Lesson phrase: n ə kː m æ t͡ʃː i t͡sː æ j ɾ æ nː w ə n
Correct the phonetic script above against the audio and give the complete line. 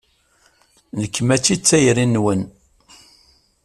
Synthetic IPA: n ə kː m æ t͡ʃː i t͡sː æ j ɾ i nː w ə n